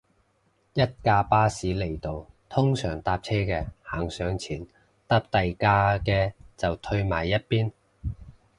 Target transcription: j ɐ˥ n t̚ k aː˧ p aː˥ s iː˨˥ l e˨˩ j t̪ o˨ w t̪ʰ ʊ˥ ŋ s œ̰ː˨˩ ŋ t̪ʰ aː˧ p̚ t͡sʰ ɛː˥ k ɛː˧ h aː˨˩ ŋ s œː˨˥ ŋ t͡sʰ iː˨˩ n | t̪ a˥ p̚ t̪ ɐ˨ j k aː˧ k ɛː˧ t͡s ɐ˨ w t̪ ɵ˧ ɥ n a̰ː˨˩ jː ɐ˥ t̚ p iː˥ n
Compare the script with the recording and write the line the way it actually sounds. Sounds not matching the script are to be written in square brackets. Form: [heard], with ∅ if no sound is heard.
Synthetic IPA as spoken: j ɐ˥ [∅] t̚ k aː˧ p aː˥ s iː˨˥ l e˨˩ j t̪ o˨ w t̪ʰ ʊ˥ ŋ s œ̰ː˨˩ ŋ [t̪] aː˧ p̚ t͡sʰ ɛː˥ k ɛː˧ h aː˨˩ ŋ s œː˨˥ ŋ t͡sʰ iː˨˩ n | t̪ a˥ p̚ t̪ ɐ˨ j k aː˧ k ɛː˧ t͡s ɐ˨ w [t̪ʰ] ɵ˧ ɥ [m] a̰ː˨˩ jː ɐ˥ t̚ p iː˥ n